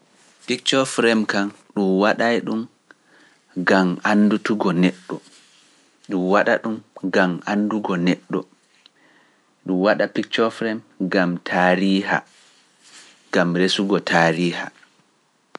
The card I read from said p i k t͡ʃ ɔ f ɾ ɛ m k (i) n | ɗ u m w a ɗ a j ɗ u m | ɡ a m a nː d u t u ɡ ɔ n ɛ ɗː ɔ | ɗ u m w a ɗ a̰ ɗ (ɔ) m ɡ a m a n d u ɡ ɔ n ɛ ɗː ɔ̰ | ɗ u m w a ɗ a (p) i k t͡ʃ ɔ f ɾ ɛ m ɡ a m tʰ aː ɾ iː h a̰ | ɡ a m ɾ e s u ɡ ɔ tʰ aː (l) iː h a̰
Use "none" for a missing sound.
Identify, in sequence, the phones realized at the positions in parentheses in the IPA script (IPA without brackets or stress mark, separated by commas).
a, u, p, ɾ